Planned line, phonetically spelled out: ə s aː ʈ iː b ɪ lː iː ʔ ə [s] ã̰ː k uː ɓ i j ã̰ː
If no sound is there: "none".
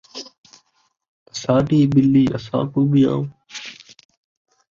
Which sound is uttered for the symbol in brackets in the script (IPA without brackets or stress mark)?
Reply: s